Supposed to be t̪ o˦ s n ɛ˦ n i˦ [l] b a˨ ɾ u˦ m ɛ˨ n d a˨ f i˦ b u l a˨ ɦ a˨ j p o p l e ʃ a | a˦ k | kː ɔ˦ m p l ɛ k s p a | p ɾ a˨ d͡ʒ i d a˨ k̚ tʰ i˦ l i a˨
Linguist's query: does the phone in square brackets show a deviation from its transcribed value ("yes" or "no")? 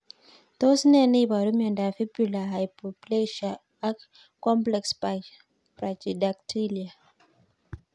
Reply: yes